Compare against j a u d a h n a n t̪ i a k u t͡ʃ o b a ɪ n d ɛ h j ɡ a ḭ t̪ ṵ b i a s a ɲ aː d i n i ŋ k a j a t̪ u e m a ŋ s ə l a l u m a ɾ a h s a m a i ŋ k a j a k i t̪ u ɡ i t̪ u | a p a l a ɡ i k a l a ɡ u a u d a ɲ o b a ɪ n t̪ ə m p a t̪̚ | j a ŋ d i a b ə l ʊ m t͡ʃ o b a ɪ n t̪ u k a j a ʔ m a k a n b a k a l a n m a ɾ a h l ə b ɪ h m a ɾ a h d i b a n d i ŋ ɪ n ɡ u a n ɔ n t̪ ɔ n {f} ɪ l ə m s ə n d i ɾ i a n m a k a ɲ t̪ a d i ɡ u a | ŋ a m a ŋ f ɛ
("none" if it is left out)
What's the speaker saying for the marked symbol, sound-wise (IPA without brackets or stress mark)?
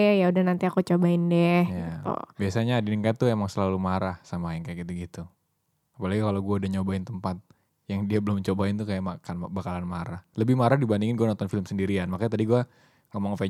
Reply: f